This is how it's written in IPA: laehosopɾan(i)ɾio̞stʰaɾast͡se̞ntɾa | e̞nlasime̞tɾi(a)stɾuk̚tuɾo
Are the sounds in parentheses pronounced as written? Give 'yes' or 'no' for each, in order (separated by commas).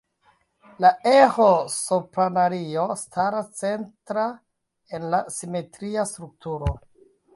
no, yes